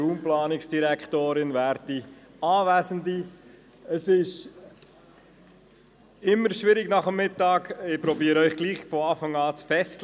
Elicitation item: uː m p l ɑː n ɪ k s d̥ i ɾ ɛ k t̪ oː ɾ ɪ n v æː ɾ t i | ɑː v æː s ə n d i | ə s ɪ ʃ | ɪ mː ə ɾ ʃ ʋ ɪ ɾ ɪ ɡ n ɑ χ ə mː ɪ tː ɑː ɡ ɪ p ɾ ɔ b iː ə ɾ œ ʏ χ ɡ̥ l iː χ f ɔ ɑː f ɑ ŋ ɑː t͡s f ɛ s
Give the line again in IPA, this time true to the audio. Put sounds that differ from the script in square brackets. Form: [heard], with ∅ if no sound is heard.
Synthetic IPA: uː m p l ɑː n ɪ k s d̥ i ɾ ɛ k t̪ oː ɾ ɪ n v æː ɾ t i | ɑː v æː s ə n d i | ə s ɪ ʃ | ɪ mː ə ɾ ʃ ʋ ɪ ɾ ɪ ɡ n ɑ χ ə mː ɪ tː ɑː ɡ ɪ p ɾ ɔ b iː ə ɾ œ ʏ χ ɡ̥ l iː χ f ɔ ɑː f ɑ ŋ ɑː t͡s f ɛ s